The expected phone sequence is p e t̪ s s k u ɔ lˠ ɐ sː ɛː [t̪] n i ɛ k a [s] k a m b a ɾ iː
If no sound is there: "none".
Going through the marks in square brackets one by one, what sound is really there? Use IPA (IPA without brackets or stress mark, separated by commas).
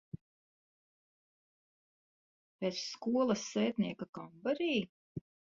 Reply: t̪, none